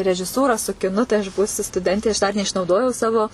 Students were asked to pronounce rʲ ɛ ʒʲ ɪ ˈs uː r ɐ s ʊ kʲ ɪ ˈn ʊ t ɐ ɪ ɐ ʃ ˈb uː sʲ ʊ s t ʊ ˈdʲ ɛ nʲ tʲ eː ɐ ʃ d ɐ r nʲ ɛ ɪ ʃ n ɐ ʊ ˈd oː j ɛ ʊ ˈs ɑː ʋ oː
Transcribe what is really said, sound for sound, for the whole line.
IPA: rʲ ɛ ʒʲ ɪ ˈs uː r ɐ s ʊ kʲ ɪ ˈn ʊ t ɐ ɪ ɐ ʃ ˈb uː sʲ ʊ s t ʊ ˈdʲ ɛ nʲ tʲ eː ɐ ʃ d ɐ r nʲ ɛ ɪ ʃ n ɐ ʊ ˈd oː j ɛ ʊ ˈs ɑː ʋ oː